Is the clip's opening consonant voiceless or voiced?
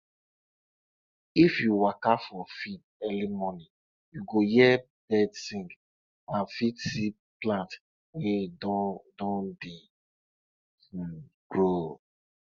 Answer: voiceless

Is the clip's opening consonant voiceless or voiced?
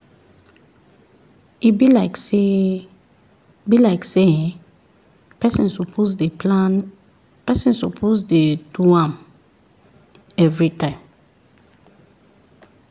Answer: voiced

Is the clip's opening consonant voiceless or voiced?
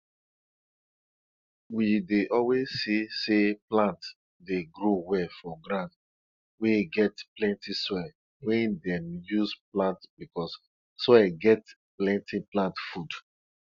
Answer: voiced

